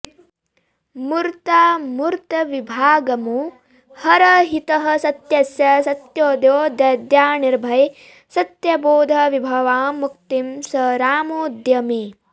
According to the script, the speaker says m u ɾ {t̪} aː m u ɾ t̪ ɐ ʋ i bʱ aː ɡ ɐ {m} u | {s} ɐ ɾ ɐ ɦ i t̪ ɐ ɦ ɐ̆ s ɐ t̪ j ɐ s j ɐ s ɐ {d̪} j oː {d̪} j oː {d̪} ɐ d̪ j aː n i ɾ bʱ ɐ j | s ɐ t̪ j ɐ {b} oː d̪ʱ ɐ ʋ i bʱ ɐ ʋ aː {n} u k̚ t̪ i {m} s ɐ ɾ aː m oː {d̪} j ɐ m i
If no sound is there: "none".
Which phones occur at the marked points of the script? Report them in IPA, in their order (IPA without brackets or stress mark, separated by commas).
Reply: t̪, m, h, t̪, d̪, d̪, b, m, m, d̪